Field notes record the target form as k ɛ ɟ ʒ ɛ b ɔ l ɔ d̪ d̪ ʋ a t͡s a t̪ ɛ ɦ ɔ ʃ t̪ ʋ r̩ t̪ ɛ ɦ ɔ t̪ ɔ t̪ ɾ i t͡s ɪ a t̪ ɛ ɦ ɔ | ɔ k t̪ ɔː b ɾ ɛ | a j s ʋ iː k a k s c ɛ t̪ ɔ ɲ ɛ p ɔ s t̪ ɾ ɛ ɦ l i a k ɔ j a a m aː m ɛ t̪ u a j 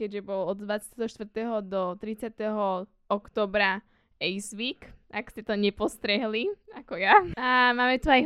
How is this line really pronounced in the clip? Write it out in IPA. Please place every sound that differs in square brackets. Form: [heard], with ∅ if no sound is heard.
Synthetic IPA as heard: k ɛ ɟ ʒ ɛ b ɔ l ɔ d̪ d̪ ʋ a t͡s a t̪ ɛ ɦ ɔ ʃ t̪ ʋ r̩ t̪ ɛ ɦ ɔ [d̪] ɔ t̪ ɾ i t͡s ɪ a t̪ ɛ ɦ ɔ | ɔ k t̪ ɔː b ɾ [a] | [ɛ] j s ʋ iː k a k s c ɛ t̪ ɔ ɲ ɛ p ɔ s t̪ ɾ ɛ ɦ l i a k ɔ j a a m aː m ɛ t̪ u a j